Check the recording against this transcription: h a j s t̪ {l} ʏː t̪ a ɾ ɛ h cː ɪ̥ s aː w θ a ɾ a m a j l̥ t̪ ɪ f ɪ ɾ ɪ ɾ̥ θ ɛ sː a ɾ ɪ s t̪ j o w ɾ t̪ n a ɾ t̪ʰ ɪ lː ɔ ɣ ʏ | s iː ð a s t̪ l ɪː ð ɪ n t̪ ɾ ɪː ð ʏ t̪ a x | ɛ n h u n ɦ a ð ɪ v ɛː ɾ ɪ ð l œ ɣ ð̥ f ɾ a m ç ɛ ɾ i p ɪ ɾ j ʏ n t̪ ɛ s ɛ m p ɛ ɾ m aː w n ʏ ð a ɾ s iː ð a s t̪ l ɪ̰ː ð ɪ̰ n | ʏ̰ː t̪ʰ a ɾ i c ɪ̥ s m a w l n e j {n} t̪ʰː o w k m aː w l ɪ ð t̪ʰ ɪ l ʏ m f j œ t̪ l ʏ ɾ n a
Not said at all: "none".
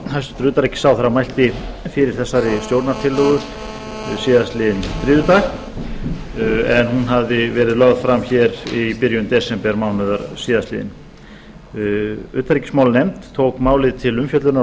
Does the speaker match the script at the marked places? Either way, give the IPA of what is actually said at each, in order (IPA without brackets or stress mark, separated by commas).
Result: ɾ, m